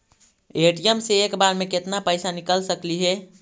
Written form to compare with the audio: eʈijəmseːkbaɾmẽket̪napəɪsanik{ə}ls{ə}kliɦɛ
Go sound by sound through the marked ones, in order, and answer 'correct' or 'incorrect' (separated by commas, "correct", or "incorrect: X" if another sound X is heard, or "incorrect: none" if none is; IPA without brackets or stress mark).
correct, correct